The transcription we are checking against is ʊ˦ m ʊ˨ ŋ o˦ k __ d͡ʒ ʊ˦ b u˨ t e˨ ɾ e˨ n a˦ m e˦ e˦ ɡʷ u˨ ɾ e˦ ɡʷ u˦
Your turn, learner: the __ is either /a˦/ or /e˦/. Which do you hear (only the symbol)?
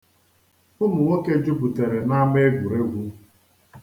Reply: e˦